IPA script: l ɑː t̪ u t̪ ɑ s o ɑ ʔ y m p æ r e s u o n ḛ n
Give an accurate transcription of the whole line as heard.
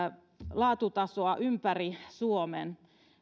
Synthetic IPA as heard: l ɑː t̪ u t̪ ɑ s o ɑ ʔ y m p æ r i s u o m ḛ n